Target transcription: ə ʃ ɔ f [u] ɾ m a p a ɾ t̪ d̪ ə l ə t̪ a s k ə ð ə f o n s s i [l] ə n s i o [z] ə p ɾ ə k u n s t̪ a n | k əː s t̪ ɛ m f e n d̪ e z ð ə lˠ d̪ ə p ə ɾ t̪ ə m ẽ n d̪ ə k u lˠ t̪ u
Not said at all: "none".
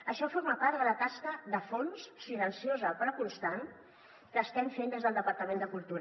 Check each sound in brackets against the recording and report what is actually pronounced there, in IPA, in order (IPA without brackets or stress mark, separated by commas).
o, l, z